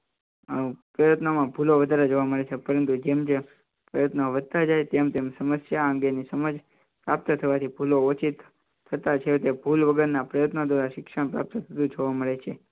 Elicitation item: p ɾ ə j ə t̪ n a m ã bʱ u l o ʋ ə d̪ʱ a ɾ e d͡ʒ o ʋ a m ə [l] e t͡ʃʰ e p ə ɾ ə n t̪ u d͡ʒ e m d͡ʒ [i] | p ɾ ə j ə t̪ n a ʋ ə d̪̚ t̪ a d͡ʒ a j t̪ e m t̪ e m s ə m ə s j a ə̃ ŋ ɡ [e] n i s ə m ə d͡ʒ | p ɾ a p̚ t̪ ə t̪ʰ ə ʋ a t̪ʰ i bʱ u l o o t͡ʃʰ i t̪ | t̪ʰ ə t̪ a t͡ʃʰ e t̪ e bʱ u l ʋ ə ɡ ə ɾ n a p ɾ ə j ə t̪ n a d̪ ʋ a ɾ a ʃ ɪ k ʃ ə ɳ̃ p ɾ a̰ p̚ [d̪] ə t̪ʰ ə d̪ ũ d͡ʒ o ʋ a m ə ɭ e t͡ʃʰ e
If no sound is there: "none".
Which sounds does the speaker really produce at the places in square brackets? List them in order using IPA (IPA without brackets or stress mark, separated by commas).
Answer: ɭ, e, e, t̪